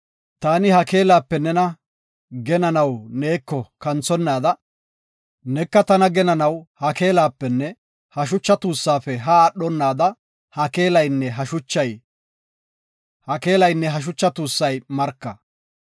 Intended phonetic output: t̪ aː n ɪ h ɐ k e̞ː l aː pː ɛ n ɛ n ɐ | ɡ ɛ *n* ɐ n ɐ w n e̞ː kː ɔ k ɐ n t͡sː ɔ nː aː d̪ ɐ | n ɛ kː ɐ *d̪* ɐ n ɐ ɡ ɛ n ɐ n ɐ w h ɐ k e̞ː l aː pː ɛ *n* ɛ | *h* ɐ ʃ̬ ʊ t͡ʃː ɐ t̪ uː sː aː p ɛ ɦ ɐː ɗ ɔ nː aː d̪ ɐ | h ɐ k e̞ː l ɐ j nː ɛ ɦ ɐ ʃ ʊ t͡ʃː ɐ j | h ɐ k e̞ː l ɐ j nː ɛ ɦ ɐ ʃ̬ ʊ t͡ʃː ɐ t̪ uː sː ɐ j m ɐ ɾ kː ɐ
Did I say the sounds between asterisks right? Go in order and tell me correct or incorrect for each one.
correct, incorrect, incorrect, correct

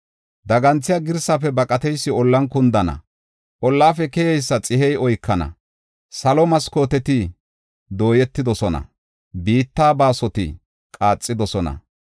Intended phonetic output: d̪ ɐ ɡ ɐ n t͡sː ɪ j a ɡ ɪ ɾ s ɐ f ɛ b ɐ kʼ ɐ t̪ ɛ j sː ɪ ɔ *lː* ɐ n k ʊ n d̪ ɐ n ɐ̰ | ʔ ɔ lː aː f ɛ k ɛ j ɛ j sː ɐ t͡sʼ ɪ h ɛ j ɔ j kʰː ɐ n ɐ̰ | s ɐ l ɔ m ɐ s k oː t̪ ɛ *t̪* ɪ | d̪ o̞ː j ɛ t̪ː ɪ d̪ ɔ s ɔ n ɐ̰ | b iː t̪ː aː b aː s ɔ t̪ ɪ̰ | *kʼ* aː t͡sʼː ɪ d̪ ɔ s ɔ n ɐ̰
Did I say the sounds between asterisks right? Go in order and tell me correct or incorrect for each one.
correct, correct, correct

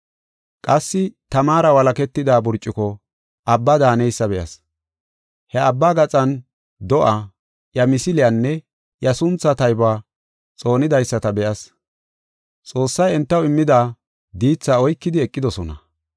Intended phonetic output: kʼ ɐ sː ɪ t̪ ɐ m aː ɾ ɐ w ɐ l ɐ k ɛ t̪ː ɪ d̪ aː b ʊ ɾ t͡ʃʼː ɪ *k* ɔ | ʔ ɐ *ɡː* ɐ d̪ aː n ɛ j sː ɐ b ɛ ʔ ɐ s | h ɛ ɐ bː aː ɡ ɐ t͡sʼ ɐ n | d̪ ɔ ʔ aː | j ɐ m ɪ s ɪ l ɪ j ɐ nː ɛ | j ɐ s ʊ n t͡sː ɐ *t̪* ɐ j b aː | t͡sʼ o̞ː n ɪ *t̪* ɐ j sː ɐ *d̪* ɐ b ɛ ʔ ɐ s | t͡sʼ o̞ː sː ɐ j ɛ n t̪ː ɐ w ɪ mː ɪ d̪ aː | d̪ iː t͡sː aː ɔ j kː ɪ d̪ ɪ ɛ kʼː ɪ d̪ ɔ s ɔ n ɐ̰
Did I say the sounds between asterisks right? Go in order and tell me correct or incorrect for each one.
correct, incorrect, correct, incorrect, incorrect

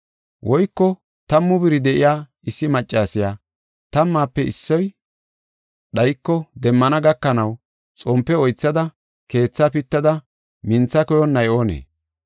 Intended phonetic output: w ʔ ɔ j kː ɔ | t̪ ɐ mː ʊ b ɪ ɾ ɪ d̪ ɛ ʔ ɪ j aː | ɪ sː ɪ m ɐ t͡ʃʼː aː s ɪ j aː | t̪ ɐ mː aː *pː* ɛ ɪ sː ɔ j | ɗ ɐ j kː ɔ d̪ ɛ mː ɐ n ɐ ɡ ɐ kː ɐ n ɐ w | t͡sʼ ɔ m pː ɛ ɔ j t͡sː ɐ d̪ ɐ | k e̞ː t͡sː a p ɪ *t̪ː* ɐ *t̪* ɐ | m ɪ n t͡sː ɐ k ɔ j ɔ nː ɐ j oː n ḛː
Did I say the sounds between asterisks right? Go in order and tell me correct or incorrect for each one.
correct, correct, incorrect

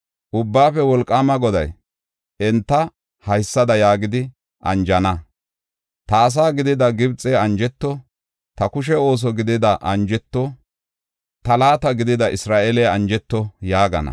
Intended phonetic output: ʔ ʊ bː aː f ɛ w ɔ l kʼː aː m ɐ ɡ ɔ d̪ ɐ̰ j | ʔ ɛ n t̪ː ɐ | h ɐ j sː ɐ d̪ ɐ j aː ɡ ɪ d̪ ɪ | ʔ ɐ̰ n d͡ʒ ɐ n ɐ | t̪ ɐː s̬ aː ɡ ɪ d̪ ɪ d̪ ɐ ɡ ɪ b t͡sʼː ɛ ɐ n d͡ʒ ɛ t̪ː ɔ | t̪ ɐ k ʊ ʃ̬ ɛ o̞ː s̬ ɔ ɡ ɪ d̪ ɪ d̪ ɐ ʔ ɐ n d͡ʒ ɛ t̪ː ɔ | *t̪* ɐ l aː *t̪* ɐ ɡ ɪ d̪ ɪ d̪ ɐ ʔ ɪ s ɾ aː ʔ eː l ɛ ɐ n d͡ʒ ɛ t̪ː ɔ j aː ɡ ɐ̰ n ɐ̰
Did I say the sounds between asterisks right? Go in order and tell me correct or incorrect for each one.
correct, correct

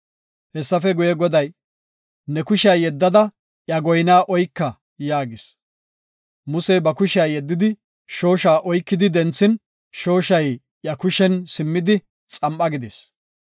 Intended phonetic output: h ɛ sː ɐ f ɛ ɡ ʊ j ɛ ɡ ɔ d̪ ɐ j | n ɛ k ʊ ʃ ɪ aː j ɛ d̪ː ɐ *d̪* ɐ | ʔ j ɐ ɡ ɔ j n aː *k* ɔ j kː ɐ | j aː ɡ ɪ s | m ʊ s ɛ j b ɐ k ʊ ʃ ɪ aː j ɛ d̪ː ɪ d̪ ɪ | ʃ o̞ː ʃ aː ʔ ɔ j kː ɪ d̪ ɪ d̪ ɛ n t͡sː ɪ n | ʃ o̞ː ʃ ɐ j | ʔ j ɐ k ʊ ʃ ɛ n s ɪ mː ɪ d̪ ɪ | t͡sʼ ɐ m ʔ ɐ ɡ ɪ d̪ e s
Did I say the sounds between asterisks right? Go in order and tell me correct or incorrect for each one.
correct, incorrect

